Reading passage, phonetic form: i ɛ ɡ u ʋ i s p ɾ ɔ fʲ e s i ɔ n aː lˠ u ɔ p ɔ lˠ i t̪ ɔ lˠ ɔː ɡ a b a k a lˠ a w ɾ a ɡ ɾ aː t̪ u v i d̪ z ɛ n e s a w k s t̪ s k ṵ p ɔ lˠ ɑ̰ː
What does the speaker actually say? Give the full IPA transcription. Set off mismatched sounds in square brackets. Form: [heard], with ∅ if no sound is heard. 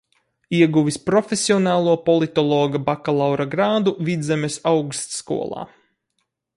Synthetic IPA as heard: i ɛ ɡ u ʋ i s p ɾ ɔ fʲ e s i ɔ n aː lˠ u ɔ p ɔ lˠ i t̪ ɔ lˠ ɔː ɡ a b a k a lˠ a w ɾ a ɡ ɾ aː [d̪] u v i d̪ z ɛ [m] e s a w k s t̪ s k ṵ [∅] ɔ lˠ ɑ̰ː